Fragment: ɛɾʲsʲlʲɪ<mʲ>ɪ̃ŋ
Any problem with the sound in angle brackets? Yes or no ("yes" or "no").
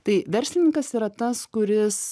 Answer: yes